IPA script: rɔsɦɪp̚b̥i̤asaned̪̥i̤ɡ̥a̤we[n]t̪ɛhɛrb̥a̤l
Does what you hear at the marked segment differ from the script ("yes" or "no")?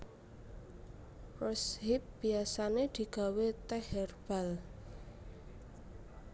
yes